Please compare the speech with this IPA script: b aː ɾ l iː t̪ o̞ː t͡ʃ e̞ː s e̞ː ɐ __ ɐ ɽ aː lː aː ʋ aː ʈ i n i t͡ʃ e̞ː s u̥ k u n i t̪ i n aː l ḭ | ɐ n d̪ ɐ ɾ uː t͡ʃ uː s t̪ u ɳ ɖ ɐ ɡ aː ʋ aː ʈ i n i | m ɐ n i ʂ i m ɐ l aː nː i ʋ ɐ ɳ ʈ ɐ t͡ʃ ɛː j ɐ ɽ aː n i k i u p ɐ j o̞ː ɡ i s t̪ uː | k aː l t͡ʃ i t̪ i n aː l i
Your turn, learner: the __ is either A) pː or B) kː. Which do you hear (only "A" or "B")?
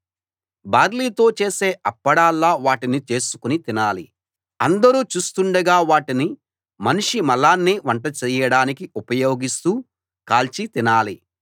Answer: A